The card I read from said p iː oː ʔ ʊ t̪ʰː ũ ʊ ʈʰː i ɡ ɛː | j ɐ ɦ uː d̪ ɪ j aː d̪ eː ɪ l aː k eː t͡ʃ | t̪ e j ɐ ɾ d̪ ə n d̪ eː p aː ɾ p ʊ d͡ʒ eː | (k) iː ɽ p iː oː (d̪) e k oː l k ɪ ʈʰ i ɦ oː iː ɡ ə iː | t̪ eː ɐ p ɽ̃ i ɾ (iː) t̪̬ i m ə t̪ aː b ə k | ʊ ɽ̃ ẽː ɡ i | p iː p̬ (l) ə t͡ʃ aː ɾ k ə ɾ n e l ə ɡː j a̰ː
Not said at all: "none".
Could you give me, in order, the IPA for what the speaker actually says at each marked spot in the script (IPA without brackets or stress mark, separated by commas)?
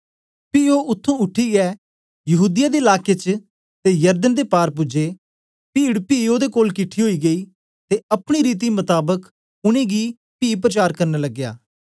p, d̪, iː, ɾ